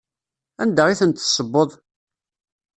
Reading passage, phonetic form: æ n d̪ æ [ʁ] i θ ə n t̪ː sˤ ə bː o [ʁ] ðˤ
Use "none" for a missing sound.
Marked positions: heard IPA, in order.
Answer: ʁ, none

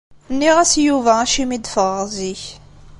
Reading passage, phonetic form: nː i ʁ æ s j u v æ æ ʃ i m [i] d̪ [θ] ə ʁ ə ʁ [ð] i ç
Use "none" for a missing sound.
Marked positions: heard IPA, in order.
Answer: i, f, z

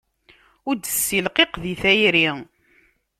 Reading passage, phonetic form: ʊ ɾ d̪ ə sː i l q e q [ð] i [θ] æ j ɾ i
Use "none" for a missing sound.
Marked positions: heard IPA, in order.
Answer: ð, θ

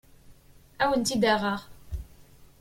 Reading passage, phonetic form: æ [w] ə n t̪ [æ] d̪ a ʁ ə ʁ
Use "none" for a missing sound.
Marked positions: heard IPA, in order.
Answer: w, i

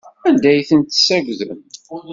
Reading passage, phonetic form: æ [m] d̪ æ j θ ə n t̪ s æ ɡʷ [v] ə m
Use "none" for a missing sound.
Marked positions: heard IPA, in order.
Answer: n, ð

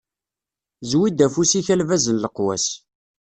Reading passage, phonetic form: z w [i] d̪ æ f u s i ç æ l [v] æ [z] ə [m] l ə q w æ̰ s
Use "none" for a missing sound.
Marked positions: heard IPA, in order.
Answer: i, v, z, n

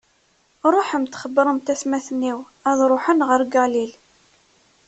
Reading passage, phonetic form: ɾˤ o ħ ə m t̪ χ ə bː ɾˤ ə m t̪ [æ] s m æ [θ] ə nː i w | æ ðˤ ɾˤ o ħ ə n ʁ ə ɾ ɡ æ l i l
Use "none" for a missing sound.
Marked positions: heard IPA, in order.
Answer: æ, θ

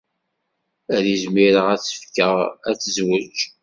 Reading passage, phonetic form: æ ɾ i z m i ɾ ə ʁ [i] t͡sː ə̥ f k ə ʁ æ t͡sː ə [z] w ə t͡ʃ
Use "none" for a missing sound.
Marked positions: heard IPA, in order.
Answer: æ, z

